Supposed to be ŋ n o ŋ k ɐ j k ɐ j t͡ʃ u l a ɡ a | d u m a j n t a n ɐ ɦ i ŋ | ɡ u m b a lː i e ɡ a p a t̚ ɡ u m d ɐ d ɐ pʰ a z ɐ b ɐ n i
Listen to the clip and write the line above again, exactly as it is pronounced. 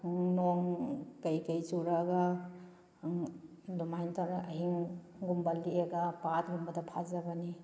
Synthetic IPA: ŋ n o ŋ k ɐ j k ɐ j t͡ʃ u ɾ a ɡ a | d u m a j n t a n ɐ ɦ i ŋ | ɡ u m b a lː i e ɡ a p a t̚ ɡ u m b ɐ d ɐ pʰ a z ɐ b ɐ n i